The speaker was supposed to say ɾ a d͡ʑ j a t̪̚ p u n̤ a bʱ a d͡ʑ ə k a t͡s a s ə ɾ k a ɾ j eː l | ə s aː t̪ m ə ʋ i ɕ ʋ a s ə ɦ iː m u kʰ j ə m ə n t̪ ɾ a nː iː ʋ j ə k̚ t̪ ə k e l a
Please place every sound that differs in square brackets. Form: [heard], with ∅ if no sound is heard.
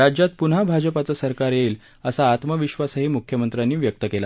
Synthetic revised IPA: ɾ a d͡ʑ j a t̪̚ p u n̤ a bʱ a d͡ʑ ə [p] a t͡s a s ə ɾ k a ɾ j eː l | ə s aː t̪ m ə ʋ i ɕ ʋ a s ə ɦ iː m u kʰ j ə m ə n t̪ ɾ a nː iː ʋ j ə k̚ t̪ ə k e l a